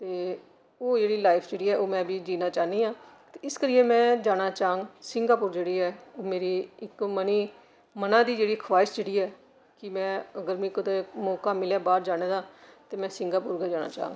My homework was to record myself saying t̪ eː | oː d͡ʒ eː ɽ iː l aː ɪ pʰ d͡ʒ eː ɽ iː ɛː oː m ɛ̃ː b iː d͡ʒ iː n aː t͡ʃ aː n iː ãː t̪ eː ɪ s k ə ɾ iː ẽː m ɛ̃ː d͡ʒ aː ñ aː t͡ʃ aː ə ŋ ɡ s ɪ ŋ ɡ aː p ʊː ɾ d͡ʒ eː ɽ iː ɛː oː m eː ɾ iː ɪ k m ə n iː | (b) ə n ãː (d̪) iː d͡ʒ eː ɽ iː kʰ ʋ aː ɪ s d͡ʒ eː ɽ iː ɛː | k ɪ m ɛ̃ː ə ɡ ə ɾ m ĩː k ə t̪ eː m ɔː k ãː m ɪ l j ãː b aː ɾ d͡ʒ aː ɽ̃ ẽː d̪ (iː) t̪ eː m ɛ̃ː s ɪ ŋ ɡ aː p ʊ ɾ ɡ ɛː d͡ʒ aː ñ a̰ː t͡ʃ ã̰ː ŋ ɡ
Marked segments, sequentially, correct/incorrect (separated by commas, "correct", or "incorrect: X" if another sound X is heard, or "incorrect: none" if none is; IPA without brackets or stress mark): incorrect: m, correct, incorrect: aː